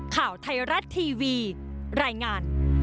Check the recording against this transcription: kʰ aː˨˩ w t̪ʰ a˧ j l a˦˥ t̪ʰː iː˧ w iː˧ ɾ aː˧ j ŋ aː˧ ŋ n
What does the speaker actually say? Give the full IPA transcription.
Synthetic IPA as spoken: kʰ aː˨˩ w t̪ʰ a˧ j ɾ a˦˥ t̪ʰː iː˧ w iː˧ ɾ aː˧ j ŋ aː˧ n